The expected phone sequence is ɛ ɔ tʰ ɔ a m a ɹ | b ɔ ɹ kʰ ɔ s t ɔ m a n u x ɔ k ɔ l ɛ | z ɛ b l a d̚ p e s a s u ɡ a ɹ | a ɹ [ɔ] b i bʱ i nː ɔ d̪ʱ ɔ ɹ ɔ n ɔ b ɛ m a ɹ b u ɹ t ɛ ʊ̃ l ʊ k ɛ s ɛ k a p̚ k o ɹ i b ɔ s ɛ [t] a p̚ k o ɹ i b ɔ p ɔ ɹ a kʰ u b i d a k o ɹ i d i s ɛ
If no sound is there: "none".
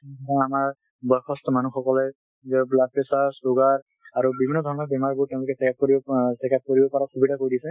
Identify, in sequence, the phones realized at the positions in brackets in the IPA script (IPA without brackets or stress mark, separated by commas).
u, k